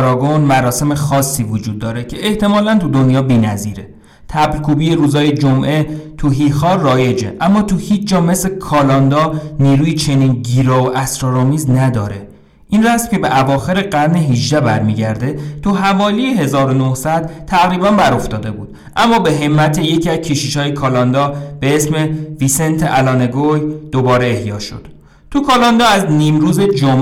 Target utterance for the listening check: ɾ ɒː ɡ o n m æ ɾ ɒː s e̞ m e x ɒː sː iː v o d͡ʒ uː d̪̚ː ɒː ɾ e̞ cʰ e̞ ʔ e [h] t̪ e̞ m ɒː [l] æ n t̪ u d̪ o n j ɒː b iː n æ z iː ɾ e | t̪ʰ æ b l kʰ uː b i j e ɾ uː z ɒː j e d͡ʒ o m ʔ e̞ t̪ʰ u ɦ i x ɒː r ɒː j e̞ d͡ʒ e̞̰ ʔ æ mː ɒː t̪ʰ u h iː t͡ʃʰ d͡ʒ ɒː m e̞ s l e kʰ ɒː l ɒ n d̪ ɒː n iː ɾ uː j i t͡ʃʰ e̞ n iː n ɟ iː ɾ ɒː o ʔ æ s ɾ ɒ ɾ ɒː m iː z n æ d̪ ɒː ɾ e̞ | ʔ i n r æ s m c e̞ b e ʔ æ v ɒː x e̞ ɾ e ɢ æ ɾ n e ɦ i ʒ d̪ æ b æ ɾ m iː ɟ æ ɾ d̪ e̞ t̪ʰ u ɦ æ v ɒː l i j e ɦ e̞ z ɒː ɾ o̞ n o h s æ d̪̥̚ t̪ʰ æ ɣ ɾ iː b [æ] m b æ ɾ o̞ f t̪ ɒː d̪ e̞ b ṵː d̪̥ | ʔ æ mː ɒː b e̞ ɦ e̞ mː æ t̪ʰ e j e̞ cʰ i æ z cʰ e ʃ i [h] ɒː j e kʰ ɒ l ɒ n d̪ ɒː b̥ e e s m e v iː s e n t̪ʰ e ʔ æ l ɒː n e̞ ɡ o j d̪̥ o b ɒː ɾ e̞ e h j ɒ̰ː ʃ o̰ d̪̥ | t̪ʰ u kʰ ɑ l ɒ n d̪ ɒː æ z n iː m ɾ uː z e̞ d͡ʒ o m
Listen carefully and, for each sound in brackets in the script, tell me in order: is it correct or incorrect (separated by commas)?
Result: correct, correct, correct, incorrect